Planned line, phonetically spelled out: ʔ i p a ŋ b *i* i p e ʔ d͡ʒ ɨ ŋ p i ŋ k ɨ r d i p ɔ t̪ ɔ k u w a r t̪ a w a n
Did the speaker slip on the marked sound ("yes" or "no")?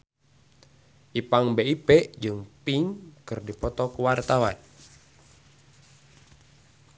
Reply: yes